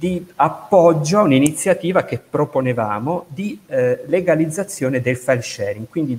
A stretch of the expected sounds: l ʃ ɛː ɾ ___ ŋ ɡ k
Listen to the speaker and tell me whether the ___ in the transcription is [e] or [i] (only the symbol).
i